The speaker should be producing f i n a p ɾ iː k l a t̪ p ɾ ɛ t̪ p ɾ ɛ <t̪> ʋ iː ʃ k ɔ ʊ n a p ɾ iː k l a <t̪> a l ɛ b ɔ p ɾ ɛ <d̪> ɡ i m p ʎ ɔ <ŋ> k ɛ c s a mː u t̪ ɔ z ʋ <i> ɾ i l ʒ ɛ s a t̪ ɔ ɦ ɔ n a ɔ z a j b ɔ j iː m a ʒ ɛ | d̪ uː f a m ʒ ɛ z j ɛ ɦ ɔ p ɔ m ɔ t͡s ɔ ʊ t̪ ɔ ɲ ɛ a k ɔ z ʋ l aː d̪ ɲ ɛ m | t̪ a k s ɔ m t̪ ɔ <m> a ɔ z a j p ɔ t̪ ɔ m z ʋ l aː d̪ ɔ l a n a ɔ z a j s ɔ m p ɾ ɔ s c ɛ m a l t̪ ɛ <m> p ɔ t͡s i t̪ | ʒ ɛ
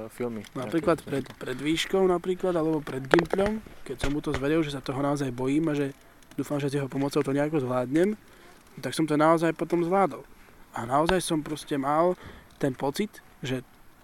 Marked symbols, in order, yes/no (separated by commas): no, no, yes, no, no, no, no